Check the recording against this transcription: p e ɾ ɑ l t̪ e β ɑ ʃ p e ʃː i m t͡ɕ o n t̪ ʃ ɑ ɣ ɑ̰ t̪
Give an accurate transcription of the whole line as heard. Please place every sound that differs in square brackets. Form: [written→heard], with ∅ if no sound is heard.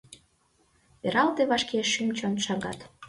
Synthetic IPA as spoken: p e ɾ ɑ l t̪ e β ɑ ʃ [p→k] e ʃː [i→y] m t͡ɕ o n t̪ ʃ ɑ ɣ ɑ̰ t̪